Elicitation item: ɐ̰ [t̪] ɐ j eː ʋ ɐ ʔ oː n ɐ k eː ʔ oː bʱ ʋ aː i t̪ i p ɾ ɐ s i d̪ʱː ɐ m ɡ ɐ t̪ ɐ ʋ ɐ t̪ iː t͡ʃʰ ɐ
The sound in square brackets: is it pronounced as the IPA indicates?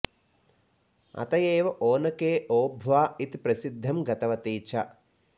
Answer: yes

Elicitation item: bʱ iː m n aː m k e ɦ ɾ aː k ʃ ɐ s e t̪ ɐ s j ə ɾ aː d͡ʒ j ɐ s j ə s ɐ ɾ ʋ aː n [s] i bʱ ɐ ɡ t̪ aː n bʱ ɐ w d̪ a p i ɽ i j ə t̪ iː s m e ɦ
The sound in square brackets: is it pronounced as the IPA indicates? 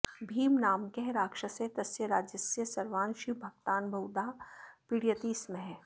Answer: no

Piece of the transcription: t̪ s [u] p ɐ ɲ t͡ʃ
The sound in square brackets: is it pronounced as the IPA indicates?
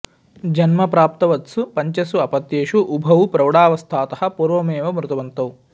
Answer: yes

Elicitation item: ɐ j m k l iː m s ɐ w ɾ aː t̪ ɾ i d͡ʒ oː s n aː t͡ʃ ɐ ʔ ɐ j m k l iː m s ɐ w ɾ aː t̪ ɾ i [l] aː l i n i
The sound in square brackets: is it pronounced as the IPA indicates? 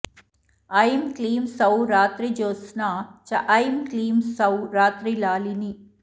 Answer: yes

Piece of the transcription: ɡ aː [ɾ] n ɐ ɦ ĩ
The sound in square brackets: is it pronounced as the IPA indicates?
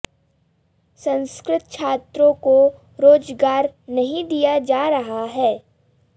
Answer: yes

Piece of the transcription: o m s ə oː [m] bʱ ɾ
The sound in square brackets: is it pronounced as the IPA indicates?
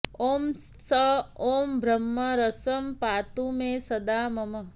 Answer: yes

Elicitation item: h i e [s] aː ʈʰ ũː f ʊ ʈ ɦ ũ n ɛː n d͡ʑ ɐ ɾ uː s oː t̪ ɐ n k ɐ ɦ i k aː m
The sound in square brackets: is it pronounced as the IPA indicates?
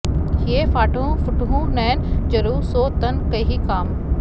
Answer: no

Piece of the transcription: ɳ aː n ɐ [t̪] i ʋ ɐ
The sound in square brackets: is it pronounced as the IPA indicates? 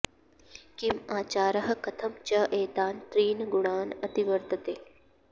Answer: yes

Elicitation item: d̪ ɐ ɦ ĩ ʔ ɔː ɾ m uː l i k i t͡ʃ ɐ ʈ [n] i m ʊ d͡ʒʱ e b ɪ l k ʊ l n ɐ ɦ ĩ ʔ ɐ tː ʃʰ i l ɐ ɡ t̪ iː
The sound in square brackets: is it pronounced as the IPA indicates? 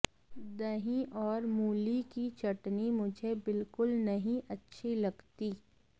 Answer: yes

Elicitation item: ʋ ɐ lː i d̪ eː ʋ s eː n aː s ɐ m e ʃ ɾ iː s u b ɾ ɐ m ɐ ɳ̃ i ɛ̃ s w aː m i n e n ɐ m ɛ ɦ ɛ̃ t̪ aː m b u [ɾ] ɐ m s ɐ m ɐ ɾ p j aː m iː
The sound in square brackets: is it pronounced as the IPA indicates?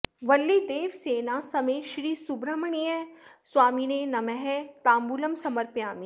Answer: no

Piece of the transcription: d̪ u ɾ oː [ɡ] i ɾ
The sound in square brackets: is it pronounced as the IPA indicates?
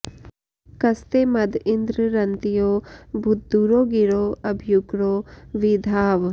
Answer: yes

